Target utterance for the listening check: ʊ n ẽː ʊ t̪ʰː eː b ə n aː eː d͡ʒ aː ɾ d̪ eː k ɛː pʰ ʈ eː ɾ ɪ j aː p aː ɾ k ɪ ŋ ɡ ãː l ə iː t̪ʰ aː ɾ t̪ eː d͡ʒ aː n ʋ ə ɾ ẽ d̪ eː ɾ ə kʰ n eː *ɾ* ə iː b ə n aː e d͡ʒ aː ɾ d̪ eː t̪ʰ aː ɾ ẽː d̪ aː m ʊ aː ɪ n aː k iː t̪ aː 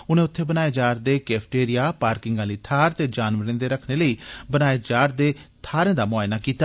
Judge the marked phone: incorrect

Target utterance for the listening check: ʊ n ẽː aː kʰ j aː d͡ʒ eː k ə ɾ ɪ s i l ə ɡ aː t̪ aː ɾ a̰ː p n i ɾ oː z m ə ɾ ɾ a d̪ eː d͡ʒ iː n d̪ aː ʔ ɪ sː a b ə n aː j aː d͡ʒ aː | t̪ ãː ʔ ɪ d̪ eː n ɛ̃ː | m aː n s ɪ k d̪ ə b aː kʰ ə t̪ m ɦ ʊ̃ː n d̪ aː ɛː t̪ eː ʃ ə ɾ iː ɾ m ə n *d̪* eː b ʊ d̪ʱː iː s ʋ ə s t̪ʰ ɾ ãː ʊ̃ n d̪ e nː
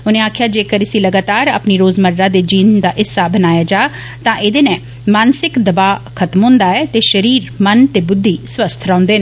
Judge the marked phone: incorrect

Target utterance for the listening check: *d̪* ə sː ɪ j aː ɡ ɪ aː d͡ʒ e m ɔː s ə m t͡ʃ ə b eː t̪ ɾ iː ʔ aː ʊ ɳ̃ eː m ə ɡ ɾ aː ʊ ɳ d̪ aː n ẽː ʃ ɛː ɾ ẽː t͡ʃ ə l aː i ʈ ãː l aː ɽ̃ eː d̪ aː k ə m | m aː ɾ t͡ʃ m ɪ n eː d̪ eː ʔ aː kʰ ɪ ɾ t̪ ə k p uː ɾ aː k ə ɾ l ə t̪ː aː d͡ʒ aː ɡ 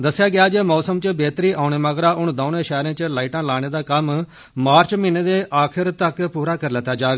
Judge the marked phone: correct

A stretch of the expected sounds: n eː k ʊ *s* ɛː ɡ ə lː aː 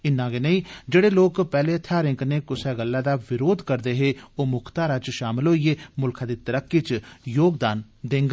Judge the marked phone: correct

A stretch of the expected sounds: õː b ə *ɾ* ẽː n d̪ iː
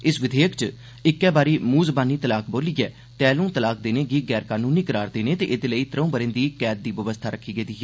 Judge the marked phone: correct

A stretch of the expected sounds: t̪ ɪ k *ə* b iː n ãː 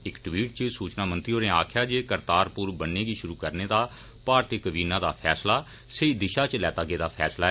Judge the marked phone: correct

